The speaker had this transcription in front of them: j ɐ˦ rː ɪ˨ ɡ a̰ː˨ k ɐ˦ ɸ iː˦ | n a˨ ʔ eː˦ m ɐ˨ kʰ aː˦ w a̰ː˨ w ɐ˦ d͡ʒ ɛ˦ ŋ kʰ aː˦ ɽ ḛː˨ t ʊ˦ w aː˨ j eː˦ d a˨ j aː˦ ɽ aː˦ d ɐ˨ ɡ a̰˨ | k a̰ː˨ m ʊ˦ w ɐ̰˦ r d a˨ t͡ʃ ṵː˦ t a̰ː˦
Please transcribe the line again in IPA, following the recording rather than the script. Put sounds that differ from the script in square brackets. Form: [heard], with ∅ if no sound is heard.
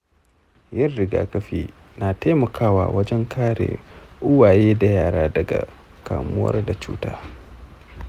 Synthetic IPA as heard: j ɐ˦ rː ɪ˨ ɡ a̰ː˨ k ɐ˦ ɸ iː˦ | n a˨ [t] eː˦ m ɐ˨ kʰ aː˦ w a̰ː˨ w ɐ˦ d͡ʒ ɛ˦ ŋ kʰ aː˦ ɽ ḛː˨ [ʔ] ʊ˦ w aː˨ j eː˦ d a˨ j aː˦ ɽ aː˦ d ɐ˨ ɡ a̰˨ | k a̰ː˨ m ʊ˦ w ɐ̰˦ r d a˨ t͡ʃ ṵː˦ t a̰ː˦

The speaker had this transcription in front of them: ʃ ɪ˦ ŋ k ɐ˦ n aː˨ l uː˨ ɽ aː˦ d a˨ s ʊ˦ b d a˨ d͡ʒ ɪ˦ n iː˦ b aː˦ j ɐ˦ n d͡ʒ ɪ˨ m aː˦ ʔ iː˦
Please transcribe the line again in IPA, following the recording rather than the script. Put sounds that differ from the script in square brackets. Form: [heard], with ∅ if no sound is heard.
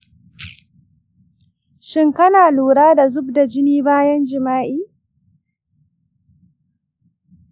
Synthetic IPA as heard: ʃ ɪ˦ ŋ k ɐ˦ n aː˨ l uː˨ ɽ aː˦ d a˨ [z] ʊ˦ b d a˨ d͡ʒ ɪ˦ n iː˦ b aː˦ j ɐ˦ n d͡ʒ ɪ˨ m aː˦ ʔ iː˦

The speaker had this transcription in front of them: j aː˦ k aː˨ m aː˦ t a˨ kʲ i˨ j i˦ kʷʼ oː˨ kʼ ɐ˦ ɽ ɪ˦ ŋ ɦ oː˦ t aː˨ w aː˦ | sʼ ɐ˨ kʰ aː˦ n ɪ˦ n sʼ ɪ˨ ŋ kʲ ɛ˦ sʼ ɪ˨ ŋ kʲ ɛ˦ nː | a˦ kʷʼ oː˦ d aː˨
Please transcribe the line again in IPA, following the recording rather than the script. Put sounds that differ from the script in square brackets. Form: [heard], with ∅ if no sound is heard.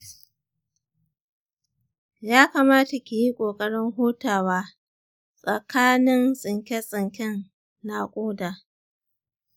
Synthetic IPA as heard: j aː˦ k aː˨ m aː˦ t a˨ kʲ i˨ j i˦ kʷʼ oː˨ kʼ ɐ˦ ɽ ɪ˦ ŋ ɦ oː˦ t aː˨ w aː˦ | sʼ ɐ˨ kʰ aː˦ n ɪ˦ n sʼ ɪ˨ ŋ kʲ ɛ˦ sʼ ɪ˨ ŋ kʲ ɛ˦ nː | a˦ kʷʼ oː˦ d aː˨

